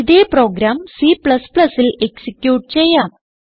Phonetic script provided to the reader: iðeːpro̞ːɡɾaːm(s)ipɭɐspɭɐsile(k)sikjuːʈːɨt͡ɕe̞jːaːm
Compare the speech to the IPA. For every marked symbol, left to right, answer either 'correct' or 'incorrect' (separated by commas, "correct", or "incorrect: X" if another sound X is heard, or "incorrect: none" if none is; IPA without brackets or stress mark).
correct, correct